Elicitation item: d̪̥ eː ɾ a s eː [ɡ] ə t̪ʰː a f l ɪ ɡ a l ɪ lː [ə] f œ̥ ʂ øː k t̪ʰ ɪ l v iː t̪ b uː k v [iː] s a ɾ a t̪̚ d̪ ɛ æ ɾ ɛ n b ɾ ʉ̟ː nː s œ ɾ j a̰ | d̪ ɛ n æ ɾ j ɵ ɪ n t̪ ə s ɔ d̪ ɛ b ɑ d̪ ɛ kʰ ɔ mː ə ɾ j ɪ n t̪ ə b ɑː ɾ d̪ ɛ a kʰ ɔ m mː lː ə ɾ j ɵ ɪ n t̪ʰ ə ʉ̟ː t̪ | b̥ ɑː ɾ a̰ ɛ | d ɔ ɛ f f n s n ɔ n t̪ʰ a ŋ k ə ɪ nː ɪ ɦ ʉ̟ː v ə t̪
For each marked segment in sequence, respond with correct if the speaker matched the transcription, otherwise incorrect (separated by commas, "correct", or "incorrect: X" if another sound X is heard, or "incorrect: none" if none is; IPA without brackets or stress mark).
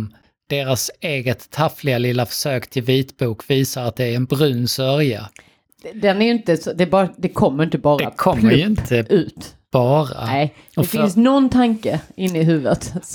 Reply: correct, incorrect: a, correct